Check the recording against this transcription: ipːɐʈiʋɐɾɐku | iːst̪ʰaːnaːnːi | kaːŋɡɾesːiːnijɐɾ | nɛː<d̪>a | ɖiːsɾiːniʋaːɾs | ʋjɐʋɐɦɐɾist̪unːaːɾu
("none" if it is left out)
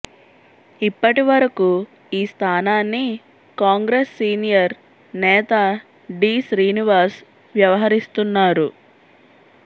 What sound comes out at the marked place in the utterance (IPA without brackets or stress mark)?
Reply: t̪